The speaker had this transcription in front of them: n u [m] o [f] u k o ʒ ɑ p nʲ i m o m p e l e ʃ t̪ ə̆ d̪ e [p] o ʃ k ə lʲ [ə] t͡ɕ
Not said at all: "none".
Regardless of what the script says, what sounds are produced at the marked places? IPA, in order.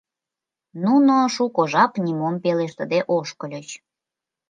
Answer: n, ʃ, ʔ, ə

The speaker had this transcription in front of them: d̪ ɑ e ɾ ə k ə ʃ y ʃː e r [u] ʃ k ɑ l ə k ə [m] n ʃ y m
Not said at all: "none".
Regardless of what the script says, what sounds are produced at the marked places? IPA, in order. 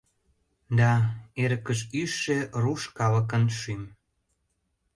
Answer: u, none

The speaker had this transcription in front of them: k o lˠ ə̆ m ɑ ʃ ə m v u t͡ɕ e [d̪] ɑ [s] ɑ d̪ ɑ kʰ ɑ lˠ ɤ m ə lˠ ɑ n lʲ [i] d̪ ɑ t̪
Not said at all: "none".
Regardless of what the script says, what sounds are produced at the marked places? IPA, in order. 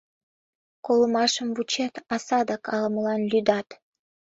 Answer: t̪, s, y

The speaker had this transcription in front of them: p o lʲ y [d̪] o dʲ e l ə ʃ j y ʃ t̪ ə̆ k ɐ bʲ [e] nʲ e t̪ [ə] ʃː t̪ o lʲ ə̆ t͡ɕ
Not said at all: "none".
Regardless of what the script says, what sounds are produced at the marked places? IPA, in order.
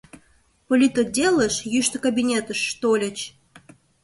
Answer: t̪, i, ə

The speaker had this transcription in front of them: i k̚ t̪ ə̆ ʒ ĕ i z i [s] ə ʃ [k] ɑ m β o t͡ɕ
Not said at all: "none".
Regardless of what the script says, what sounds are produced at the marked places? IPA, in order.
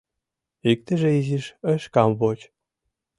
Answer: ʃ, k

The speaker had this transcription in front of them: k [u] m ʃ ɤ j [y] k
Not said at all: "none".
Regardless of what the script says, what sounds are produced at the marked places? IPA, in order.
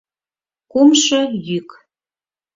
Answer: u, y

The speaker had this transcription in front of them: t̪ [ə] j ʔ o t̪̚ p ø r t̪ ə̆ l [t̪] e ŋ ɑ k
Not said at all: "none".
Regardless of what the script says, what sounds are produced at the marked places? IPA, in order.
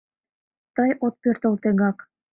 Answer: ɑ, t̪

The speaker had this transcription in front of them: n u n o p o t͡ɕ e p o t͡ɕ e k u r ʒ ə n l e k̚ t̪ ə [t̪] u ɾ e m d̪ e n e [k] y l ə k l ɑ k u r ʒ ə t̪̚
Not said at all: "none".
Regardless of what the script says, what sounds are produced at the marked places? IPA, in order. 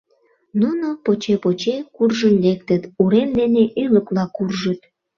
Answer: t̪, ʔ

